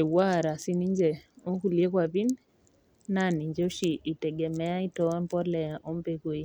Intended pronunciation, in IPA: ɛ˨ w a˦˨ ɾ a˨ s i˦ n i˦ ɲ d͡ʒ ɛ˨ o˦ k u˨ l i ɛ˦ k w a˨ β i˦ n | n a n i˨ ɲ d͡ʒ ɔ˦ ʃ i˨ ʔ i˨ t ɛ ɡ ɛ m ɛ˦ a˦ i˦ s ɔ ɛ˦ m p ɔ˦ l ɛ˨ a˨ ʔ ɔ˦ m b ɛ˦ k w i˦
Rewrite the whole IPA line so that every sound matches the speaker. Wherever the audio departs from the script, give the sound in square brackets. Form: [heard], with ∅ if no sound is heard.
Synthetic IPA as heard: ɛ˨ w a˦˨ ɾ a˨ s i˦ n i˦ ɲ d͡ʒ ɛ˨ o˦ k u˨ l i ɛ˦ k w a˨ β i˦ n | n a n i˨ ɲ d͡ʒ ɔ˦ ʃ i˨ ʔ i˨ t ɛ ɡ ɛ m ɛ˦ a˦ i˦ [t] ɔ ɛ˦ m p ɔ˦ l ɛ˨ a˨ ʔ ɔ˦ m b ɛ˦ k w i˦